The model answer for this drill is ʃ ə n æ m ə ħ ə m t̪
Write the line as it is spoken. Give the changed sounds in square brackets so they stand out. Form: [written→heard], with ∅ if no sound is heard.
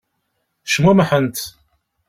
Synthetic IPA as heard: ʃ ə [n→m] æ m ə ħ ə [m→n] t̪